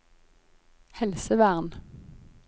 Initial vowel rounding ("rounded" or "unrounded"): unrounded